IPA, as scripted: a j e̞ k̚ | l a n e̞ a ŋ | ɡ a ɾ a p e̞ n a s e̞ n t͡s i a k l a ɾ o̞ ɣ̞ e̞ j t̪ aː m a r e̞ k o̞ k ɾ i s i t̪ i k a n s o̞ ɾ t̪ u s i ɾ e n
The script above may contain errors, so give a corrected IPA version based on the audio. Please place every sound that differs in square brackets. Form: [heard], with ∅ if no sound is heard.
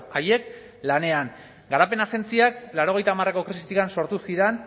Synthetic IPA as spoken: a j e̞ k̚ | l a n e̞ a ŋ | ɡ a ɾ a p e̞ n a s e̞ n t͡s i a k l a ɾ o̞ ɣ̞ e̞ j t̪ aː m a r e̞ k o̞ k ɾ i s i t̪ i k a n s o̞ ɾ t̪ u s i ɾ e n

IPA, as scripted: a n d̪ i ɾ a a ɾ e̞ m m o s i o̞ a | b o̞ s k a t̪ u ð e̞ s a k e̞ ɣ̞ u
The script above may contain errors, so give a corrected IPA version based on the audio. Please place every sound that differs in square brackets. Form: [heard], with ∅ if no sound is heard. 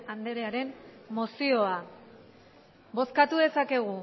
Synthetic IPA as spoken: a n d̪ [e] ɾ [e] a ɾ e̞ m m o s i o̞ a | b o̞ s k a t̪ u ð e̞ s a k e̞ ɣ̞ u

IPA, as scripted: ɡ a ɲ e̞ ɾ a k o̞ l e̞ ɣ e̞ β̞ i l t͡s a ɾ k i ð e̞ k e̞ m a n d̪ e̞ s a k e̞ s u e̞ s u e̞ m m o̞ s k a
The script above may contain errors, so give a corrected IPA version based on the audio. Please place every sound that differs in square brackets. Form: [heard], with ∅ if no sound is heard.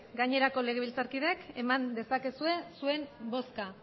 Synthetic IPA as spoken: ɡ a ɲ e̞ ɾ a k o̞ l e̞ ɣ e̞ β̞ i l t͡s a ɾ k i ð e̞ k e̞ m a n d̪ e̞ s a k e̞ s u e̞ s u e̞ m [b] o̞ s k a

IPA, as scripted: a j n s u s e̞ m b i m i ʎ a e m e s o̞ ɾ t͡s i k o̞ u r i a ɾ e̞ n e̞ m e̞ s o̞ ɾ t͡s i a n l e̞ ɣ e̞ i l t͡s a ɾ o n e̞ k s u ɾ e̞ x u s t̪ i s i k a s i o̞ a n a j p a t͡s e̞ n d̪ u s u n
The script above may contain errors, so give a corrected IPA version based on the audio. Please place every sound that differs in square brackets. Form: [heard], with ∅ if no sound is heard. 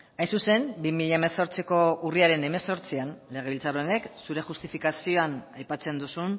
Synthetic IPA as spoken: a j n s u s e̞ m b i m i ʎ a e m e s o̞ ɾ t͡s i k o̞ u r i a ɾ e̞ n e̞ m e̞ s o̞ ɾ t͡s i a n l e̞ ɣ e̞ i l t͡s a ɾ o n e̞ k s u ɾ e̞ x u s t̪ i [f] i k a s i o̞ a n a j p a t͡s e̞ n d̪ u s u n

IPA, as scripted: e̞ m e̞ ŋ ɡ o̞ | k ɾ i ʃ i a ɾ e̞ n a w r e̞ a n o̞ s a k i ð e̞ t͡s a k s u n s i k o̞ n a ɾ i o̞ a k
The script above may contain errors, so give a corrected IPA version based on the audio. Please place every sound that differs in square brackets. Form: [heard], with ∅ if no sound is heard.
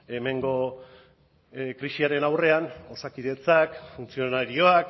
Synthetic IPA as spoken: e̞ m e̞ ŋ ɡ o̞ | k ɾ i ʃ i a ɾ e̞ n a w r e̞ a n o̞ s a k i ð e̞ t͡s a k [f] u n [t͡s] i [∅] o̞ n a ɾ i o̞ a k

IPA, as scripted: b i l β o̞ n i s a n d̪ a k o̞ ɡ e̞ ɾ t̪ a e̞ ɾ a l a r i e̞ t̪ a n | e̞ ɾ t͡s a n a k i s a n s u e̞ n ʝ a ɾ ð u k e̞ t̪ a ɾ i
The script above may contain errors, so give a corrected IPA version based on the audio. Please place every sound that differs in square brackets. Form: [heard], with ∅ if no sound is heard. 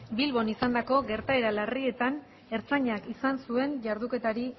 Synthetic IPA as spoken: b i l β o̞ n i s a n d̪ a k o̞ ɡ e̞ ɾ t̪ a e̞ ɾ a l a r i e̞ t̪ a n | e̞ ɾ t͡s a [ɲ] a k i s a n s u e̞ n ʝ a ɾ ð u k e̞ t̪ a ɾ i

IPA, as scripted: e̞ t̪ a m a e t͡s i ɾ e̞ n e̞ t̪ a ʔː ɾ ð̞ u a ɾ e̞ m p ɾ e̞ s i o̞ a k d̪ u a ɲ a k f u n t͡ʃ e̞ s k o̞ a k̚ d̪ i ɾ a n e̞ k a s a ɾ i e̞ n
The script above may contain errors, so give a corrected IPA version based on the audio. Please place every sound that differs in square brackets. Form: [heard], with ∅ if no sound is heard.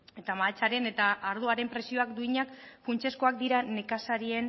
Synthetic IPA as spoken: e̞ t̪ a m a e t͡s [a] ɾ e̞ n e̞ t̪ a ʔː ɾ ð̞ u a ɾ e̞ m p ɾ e̞ s i o̞ a k d̪ u [i] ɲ a k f u n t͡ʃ e̞ s k o̞ a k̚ d̪ i ɾ a n e̞ k a s a ɾ i e̞ n

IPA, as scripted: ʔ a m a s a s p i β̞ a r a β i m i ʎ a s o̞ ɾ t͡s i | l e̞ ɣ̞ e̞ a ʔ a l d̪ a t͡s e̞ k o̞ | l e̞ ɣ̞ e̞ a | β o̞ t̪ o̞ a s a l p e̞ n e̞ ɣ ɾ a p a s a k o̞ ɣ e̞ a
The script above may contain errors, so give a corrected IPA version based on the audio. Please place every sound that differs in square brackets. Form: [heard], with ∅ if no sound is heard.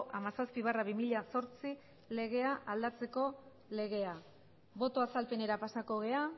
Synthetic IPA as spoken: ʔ a m a s a s p i β̞ a r a β i m i ʎ a s o̞ ɾ t͡s i | l e̞ ɣ̞ e̞ a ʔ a l d̪ a t͡s e̞ k o̞ | l e̞ ɣ̞ e̞ a | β o̞ t̪ o̞ a s a l p e̞ n e̞ [∅] ɾ a p a s a k o̞ ɣ e̞ a

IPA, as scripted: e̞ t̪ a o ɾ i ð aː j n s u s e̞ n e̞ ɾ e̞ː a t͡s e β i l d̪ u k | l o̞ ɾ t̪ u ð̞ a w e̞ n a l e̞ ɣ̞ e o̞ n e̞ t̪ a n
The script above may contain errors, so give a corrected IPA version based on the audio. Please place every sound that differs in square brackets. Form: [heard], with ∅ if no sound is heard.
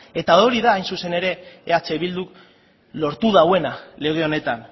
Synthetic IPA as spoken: e̞ t̪ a o ɾ i ð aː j n s u s e̞ n e̞ ɾ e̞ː a t͡s e β i l d̪ u k | l o̞ ɾ t̪ u ð̞ a w e̞ n a l e̞ ɣ̞ e o̞ n e̞ t̪ a n

